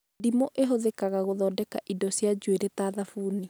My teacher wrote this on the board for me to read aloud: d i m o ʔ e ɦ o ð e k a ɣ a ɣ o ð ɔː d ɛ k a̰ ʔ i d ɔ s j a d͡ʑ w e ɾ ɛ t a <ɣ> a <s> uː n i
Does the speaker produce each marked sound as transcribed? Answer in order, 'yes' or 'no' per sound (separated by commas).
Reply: no, no